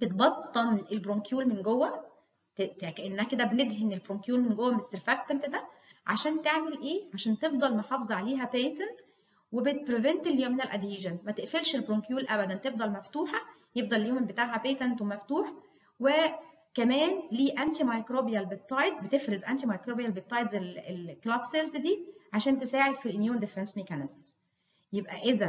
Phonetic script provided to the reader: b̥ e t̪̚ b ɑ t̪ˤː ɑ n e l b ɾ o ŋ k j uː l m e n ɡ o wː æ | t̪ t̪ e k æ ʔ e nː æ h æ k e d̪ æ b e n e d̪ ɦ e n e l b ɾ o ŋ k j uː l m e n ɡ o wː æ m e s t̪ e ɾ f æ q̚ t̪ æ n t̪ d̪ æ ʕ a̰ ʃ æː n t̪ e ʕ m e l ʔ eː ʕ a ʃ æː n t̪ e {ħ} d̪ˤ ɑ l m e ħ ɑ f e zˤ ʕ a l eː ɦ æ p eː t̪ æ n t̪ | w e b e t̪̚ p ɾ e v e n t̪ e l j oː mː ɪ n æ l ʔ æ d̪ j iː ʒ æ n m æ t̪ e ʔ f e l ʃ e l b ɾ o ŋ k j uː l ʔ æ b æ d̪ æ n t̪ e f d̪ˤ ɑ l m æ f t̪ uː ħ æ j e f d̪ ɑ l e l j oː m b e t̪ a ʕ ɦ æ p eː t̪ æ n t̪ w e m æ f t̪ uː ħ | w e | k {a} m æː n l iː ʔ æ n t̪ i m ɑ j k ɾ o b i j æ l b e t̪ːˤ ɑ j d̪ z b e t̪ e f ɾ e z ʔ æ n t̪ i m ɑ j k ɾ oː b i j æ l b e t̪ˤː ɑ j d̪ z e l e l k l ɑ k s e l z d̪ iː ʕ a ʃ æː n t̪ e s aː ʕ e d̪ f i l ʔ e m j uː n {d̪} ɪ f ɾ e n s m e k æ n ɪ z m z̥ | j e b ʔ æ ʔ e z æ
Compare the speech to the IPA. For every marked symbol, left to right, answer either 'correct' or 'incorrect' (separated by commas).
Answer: incorrect, incorrect, correct